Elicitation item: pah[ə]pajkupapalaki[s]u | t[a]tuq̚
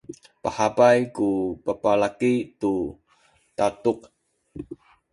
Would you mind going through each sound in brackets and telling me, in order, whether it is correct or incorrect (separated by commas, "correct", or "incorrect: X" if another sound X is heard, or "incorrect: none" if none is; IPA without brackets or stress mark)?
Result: incorrect: a, incorrect: t, correct